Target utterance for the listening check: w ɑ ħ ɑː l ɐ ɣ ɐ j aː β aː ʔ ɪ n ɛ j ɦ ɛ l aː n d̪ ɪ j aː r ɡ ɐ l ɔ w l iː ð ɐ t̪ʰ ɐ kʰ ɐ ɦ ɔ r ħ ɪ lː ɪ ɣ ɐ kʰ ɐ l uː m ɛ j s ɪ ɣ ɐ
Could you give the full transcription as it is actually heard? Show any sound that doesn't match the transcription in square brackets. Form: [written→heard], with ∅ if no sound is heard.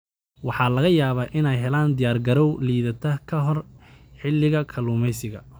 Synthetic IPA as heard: w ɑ ħ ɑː l ɐ ɣ ɐ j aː β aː ʔ ɪ n ɛ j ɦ ɛ l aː n d̪ ɪ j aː r ɡ ɐ [l→ɾ] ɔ w l iː ð ɐ t̪ʰ ɐ kʰ ɐ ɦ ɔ r ħ ɪ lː ɪ ɣ ɐ kʰ ɐ l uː m ɛ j s ɪ ɣ ɐ